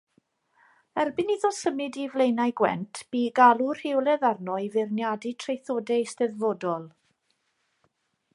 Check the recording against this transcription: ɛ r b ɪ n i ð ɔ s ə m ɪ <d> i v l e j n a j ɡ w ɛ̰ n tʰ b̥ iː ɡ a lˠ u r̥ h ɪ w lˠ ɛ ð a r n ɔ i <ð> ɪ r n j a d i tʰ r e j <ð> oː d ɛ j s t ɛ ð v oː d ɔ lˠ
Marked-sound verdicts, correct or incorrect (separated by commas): correct, incorrect, incorrect